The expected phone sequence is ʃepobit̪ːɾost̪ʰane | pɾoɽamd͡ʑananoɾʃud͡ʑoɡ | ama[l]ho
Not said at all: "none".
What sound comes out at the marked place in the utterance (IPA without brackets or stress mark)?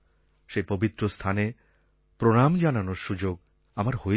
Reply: ɾ